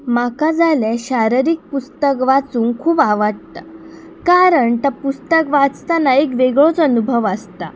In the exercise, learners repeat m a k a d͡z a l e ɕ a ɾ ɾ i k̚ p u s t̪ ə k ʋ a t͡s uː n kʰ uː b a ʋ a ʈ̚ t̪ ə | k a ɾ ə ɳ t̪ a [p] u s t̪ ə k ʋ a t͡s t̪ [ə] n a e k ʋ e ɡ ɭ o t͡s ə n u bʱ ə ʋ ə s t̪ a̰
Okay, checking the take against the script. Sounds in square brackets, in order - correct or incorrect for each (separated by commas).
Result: correct, incorrect